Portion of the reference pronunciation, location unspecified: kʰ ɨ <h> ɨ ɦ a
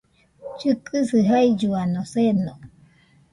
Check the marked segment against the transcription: incorrect: s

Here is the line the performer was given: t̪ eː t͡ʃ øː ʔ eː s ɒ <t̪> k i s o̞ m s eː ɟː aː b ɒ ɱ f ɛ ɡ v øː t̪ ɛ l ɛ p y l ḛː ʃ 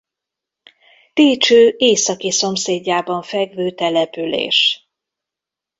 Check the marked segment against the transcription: incorrect: none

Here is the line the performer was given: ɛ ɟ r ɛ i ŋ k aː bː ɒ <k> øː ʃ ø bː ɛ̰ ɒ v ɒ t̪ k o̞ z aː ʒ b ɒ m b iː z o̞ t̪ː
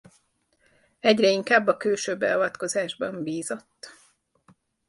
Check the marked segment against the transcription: correct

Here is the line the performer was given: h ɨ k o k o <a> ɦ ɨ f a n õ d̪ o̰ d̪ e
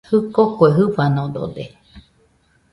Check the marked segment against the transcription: incorrect: e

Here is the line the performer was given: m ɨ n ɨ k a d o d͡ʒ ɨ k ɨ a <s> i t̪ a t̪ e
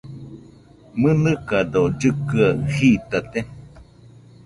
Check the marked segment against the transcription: incorrect: h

